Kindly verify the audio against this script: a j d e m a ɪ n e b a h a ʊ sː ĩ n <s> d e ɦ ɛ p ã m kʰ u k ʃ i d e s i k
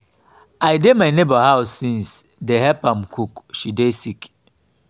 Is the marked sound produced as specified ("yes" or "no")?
yes